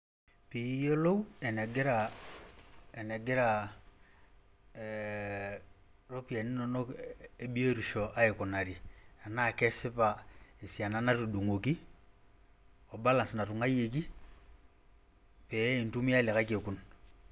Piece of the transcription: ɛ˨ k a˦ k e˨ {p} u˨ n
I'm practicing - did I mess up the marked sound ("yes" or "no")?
yes